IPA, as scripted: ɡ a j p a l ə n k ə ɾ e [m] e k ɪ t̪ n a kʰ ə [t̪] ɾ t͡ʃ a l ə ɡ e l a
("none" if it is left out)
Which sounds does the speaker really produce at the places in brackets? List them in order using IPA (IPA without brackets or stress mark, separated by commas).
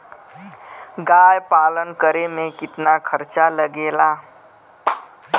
m, none